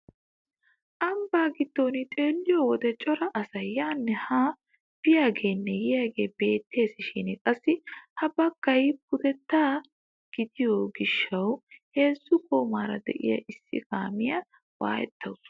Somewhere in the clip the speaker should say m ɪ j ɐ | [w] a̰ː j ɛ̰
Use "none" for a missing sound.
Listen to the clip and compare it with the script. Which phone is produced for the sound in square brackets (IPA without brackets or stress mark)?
w